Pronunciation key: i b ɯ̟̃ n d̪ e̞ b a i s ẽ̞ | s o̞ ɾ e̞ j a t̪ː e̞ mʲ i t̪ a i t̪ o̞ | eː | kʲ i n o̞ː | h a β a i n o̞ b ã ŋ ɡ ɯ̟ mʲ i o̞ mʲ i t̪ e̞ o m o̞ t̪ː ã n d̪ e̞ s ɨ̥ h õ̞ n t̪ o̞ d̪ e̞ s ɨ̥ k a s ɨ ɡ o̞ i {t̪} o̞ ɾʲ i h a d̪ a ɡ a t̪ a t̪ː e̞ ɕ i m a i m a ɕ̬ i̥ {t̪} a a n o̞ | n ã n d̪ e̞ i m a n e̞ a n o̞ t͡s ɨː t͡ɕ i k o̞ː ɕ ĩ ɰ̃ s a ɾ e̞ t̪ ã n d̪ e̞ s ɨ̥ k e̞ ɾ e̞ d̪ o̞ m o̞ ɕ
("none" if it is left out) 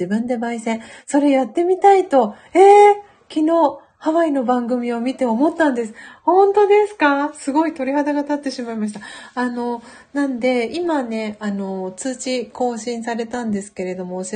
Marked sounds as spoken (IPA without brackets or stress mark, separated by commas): t̪, t̪